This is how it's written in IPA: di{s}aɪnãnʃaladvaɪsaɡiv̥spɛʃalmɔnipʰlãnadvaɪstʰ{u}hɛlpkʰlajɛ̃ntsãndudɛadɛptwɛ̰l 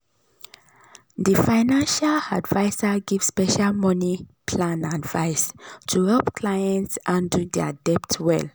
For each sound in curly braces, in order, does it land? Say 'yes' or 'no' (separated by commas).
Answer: no, yes